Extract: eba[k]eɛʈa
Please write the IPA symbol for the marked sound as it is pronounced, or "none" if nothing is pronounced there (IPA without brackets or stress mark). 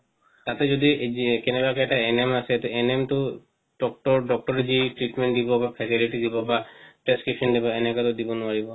k